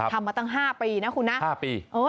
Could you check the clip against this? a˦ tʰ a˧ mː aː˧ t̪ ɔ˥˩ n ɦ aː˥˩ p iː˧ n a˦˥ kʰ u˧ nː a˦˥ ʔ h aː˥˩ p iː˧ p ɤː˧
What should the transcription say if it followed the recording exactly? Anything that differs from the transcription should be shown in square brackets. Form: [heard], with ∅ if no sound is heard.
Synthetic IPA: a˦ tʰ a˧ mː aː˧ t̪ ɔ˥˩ [ŋ] ɦ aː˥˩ p iː˧ n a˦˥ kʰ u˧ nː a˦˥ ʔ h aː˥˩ p iː˧ [ʔ] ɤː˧